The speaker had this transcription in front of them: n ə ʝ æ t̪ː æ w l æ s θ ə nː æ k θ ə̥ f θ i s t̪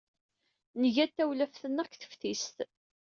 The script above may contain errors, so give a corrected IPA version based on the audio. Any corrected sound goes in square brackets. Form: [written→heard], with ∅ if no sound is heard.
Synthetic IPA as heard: n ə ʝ æ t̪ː æ w l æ [s→f] θ ə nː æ k θ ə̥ f θ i s t̪